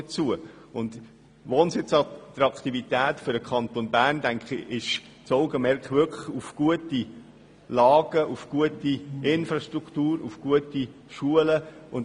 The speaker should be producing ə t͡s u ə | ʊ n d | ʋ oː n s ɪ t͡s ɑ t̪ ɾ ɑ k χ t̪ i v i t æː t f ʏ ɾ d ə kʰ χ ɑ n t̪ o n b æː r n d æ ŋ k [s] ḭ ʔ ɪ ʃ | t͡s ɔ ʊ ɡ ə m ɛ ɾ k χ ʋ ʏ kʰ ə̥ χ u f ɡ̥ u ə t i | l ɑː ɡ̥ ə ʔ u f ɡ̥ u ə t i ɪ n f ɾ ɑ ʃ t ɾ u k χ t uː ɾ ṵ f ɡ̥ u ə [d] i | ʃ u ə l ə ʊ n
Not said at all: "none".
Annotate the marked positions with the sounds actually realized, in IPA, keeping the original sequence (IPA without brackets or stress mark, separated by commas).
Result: χ, t